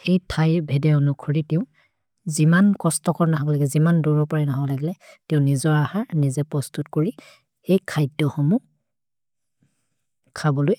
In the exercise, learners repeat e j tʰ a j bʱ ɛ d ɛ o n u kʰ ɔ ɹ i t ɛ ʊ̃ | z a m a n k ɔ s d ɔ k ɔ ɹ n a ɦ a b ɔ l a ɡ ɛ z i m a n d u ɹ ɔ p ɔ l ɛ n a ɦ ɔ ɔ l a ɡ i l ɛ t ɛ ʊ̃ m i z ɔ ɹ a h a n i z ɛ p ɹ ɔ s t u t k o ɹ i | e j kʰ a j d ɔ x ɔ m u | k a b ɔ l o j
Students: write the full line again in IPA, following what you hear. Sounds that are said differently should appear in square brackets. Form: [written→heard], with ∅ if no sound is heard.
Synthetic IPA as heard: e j tʰ a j bʱ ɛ d ɛ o n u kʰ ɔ ɹ i t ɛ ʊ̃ | z [a→i] m a n k ɔ s [d→t] ɔ k ɔ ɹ n a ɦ a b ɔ l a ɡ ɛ z i m a n d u ɹ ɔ p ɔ [l→ɹ] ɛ n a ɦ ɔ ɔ l a ɡ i l ɛ t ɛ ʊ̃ [m→n] i z ɔ ɹ a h a n i z ɛ p ɹ ɔ s t u t k o ɹ i | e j kʰ a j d ɔ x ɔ m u | [k→kʰ] a b ɔ l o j